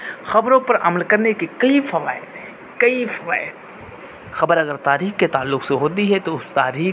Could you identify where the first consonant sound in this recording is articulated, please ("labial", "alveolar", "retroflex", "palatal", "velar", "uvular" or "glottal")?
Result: velar